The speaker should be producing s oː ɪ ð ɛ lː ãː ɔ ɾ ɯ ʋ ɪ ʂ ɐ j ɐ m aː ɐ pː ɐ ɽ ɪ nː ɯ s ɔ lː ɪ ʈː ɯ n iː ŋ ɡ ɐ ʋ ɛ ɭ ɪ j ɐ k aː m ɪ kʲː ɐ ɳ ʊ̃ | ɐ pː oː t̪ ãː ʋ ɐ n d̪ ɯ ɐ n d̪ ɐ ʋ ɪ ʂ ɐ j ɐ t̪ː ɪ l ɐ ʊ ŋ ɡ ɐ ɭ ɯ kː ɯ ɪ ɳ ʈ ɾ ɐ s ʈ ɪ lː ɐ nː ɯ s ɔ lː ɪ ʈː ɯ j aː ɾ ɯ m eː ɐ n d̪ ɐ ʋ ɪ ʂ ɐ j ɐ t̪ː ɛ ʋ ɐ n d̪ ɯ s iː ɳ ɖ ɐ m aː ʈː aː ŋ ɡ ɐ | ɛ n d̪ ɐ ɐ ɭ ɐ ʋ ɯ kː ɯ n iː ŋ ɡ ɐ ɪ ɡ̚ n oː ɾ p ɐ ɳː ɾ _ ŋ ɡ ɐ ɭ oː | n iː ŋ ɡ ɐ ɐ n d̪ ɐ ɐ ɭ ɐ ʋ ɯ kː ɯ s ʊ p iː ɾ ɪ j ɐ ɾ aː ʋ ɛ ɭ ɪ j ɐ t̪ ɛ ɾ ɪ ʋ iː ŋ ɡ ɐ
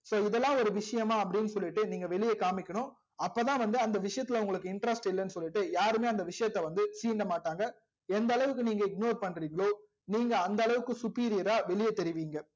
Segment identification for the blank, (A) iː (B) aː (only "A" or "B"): A